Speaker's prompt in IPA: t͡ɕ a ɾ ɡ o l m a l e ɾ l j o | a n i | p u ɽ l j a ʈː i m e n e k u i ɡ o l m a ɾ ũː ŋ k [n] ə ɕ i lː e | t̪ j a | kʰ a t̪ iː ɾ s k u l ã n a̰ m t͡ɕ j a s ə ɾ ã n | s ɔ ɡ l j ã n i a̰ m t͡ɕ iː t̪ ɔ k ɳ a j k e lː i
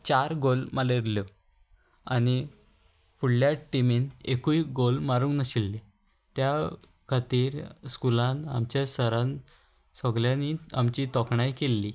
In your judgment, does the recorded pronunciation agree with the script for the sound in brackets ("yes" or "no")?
yes